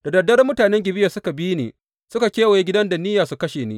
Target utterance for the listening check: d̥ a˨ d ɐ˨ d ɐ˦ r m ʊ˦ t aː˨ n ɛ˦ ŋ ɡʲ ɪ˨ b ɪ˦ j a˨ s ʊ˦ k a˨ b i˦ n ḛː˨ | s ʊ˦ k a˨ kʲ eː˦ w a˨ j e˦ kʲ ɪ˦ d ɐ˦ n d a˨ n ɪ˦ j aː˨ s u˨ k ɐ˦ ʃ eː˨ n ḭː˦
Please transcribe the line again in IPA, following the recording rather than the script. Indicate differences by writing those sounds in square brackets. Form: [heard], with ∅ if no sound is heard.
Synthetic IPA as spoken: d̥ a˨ d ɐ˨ d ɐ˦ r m ʊ˦ t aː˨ n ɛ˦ ŋ ɡʲ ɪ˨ b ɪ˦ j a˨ s ʊ˦ k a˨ b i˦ n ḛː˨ | s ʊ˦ k a˨ kʲ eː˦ w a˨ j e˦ [ɡʲ] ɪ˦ d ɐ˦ n d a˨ n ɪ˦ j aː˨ s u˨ k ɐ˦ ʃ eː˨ n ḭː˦